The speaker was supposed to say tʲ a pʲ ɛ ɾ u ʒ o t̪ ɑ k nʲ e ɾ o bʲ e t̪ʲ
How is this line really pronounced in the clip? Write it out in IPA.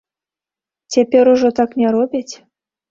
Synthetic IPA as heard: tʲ e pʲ e ɾ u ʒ o t̪ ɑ k nʲ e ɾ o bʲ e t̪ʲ